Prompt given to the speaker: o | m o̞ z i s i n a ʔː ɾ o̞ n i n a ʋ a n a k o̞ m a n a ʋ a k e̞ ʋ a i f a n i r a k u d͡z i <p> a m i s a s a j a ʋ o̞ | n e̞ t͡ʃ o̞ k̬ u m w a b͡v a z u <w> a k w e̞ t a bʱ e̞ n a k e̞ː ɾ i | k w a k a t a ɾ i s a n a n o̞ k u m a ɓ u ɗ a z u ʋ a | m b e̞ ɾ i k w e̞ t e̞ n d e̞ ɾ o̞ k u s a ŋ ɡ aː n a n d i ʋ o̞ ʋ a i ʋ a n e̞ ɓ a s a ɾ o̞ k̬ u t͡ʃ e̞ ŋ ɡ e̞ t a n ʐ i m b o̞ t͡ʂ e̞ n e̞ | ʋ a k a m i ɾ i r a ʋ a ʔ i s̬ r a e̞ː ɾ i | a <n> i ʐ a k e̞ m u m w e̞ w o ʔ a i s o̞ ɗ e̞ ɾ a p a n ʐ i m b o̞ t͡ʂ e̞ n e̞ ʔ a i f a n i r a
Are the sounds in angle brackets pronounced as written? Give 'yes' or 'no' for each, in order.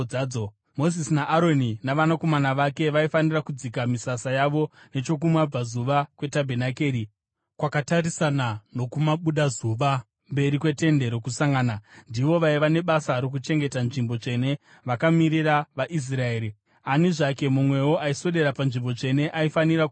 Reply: no, no, yes

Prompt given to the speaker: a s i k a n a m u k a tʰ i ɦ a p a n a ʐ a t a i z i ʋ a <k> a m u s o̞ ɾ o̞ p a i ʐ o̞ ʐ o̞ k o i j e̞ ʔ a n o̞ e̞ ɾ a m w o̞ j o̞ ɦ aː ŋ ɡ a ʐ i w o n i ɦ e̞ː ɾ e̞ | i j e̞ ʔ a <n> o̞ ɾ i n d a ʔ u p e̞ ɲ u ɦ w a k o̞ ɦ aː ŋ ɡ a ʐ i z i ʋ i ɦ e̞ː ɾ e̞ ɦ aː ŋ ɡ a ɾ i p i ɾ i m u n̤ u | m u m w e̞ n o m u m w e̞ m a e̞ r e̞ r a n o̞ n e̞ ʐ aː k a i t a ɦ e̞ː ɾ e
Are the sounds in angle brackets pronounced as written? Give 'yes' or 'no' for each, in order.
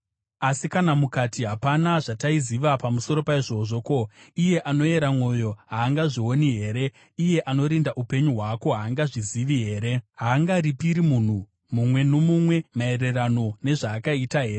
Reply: no, yes

